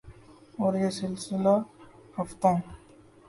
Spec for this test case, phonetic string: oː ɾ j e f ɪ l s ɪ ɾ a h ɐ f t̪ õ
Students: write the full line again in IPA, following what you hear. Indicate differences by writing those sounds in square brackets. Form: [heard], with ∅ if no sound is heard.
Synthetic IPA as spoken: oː ɾ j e [s] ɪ l s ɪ [l] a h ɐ f t̪ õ